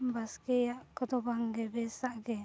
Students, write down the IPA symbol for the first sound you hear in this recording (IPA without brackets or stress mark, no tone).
b